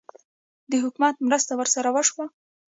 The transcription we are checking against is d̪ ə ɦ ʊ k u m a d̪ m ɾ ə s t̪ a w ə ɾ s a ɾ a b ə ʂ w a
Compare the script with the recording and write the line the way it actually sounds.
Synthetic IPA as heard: d̪ ə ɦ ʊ k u m a t̪ m ɾ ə s t̪ a w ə ɾ s a ɾ a w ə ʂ w a